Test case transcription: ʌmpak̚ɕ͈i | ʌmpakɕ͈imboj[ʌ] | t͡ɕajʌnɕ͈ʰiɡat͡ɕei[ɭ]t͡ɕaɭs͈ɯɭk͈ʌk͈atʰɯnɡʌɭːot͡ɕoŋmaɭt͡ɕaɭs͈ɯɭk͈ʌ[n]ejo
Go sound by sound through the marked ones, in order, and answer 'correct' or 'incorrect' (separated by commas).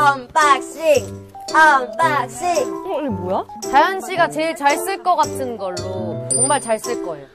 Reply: incorrect, correct, incorrect